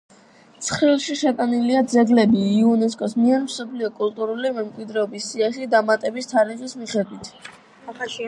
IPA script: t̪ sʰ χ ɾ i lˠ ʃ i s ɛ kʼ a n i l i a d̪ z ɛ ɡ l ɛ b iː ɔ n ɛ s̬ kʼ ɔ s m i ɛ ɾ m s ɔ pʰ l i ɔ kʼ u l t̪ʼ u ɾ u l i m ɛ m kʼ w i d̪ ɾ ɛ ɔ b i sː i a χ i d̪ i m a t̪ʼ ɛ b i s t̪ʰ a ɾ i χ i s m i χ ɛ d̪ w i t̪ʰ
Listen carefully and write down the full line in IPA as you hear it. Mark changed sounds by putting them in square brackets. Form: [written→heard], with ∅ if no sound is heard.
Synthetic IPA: t̪ sʰ χ ɾ i lˠ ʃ i [s→ʃ] ɛ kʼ a n i l i a d̪ z ɛ ɡ l ɛ b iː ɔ n ɛ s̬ kʼ ɔ s m i ɛ ɾ m s ɔ pʰ l i ɔ kʼ u l t̪ʼ u ɾ u l i m ɛ m kʼ w i d̪ ɾ ɛ ɔ b i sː i a χ i d̪ [i→a] m a t̪ʼ ɛ b i s t̪ʰ a ɾ i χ i s m i χ ɛ d̪ w i t̪ʰ